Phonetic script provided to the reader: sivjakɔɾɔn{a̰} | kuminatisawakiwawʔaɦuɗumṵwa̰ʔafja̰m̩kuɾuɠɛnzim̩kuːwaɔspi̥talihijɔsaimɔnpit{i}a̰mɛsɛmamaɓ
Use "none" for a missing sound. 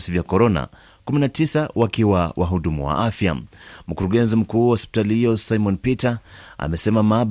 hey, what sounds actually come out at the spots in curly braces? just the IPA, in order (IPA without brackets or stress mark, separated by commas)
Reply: a̰, a